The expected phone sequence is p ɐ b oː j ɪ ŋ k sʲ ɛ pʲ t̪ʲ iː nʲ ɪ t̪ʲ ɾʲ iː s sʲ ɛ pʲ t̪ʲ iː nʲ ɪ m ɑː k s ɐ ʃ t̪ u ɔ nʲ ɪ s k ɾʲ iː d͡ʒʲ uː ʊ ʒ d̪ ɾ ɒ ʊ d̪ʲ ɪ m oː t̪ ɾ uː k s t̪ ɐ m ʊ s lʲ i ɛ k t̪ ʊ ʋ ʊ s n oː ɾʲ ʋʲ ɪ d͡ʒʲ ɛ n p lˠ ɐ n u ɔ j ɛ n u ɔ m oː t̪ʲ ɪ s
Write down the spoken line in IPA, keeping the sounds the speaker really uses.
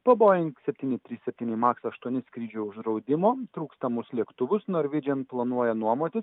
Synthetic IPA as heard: p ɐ b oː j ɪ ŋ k sʲ ɛ pʲ t̪ʲ iː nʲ ɪ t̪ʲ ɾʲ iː s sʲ ɛ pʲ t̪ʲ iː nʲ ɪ m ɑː k s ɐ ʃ t̪ u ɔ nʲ ɪ s k ɾʲ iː d͡ʒʲ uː ʊ ʒ d̪ ɾ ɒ ʊ d̪ʲ ɪ m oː t̪ ɾ uː k s t̪ ɐ m ʊ s lʲ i ɛ k t̪ ʊ ʋ ʊ s n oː ɾʲ ʋʲ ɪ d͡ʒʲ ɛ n p lˠ ɐ n u ɔ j ɛ n u ɔ m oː t̪ʲ ɪ s